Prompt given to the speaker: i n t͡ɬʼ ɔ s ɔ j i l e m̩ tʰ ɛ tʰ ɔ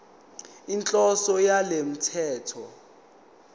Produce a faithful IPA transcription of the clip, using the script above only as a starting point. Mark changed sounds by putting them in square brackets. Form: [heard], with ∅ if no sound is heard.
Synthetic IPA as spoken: i n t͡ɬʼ ɔ s ɔ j [a] l e m̩ tʰ [ɛː] tʰ ɔ